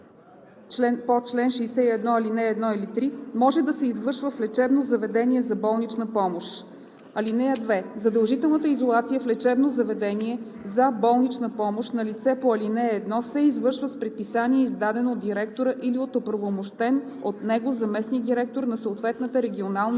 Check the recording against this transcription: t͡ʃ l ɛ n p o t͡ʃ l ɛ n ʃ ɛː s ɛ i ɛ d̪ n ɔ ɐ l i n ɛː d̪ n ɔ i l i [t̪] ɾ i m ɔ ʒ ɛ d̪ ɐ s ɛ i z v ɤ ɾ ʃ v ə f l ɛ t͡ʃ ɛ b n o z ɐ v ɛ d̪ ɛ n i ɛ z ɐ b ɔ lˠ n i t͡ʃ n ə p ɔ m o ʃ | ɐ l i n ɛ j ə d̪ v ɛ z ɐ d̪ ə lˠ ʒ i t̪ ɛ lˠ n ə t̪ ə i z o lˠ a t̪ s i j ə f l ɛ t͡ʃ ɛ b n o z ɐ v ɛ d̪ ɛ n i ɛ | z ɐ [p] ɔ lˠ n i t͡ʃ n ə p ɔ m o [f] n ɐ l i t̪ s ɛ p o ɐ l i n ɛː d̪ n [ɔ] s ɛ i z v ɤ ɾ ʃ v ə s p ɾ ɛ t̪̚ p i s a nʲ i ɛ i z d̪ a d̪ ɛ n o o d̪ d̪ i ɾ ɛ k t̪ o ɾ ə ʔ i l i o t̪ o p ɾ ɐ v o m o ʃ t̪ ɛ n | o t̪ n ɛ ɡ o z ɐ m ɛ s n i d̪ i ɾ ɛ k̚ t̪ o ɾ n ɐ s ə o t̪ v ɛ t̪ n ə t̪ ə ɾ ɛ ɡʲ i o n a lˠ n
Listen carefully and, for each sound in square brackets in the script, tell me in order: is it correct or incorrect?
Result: correct, incorrect, incorrect, correct

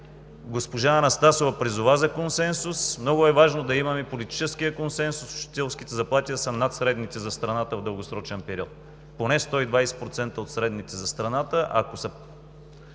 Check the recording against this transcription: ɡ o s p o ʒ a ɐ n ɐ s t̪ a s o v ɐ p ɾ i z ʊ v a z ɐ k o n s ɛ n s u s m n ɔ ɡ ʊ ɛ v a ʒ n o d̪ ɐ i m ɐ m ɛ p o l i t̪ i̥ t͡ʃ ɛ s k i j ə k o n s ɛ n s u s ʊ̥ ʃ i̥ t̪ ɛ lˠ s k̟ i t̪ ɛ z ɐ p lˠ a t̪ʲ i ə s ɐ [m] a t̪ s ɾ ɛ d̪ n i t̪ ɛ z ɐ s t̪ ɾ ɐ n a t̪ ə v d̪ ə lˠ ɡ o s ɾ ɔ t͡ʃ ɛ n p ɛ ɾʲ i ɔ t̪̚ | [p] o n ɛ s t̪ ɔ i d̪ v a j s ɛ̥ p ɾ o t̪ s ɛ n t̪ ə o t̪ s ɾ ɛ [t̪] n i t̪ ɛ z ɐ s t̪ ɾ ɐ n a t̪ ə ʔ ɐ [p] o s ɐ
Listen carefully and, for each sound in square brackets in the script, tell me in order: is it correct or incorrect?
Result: incorrect, correct, incorrect, incorrect

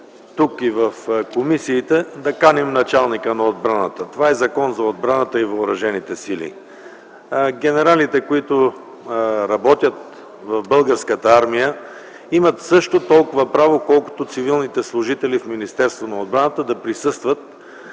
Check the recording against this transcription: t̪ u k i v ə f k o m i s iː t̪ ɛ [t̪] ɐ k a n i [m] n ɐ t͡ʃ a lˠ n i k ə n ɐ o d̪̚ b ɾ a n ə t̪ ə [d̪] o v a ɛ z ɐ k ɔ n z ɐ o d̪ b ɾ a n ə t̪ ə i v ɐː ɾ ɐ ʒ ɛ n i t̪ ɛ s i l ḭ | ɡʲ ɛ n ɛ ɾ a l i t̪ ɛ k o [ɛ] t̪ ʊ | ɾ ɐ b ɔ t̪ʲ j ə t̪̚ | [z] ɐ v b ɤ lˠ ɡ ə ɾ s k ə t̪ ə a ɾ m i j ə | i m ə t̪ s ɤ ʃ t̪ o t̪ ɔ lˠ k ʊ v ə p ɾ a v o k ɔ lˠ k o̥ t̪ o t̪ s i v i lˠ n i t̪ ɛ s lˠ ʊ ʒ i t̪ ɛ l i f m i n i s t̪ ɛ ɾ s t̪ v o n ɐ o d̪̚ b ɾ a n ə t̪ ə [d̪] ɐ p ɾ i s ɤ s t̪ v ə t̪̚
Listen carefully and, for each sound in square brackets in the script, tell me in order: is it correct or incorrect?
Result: incorrect, correct, incorrect, incorrect, incorrect, correct

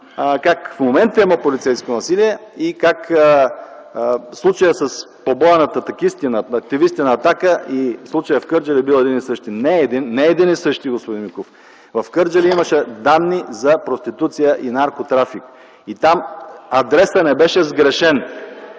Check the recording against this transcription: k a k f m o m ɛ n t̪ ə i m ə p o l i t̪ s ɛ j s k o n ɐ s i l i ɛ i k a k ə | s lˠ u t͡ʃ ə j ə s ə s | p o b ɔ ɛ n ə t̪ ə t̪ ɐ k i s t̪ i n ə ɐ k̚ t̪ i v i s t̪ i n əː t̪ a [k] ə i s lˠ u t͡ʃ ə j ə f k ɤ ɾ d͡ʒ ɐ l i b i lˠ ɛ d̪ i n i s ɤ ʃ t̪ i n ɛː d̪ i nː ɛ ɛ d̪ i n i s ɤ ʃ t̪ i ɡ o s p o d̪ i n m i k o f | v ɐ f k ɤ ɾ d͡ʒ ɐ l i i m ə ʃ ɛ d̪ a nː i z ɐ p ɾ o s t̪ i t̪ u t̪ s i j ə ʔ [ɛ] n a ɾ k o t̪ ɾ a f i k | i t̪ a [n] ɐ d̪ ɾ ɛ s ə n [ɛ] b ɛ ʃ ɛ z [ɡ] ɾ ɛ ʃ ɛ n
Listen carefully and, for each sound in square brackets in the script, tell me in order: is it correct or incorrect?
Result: correct, incorrect, incorrect, correct, correct

